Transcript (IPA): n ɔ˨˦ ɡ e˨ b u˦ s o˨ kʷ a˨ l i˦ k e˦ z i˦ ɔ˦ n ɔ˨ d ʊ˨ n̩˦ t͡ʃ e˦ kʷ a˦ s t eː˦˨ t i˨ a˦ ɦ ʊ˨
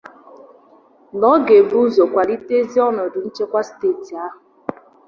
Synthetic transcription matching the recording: n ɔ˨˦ ɡ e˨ b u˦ z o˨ kʷ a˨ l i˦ t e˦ z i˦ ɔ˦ n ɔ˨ d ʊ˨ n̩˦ t͡ʃ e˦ kʷ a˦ s t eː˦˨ t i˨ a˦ ɦ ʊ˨